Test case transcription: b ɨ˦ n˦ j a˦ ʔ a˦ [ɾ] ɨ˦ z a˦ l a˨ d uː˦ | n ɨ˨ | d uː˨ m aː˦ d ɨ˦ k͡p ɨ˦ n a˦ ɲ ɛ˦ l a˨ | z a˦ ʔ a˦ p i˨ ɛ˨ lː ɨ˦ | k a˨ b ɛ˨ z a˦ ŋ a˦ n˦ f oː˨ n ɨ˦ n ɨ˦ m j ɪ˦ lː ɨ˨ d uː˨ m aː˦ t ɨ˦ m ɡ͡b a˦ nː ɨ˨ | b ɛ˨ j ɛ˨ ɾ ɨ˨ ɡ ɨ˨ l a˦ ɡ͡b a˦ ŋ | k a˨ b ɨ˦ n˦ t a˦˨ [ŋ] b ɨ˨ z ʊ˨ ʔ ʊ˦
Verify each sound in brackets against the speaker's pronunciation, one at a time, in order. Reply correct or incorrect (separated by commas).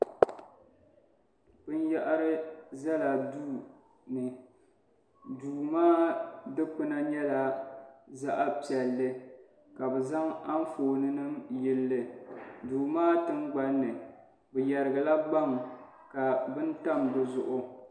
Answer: correct, incorrect